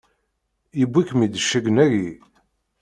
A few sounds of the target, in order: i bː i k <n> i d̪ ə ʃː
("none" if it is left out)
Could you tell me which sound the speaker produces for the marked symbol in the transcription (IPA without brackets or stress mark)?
m